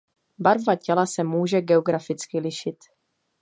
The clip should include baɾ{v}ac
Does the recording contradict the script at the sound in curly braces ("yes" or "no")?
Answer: no